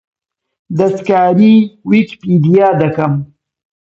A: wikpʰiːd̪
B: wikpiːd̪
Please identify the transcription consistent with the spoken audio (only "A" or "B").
B